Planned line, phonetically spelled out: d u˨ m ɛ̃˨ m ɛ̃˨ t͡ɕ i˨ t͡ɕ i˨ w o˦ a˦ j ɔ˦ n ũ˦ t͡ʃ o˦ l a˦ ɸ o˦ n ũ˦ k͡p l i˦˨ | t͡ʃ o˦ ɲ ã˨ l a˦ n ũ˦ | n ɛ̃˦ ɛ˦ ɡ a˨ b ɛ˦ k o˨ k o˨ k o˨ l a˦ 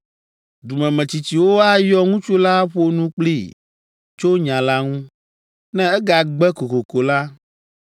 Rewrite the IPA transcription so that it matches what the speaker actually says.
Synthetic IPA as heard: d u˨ m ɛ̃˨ m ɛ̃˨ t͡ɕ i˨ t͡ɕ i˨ w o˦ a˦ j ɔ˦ ŋ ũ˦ t͡ʃ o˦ l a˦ ɸ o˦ n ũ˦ k͡p l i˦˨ | t͡ʃ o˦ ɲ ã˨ l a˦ ŋ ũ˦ | n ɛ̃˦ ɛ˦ ɡ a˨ ɡ͡b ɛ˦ k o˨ k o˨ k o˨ l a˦